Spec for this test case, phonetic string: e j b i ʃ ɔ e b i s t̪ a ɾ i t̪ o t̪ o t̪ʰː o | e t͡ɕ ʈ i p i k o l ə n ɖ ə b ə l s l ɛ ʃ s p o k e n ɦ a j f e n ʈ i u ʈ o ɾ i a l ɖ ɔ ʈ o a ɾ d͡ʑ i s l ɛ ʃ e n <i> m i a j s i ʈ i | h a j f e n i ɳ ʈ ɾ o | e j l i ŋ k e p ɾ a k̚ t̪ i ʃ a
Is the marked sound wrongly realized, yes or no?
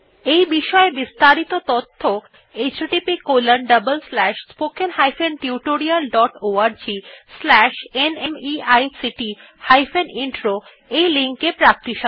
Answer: yes